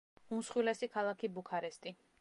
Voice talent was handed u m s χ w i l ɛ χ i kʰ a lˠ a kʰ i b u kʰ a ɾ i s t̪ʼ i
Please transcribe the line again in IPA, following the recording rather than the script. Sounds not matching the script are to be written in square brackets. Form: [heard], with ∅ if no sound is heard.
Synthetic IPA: u m s χ w i l ɛ [s] i kʰ a lˠ a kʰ i b u kʰ a ɾ [ɛ] s t̪ʼ i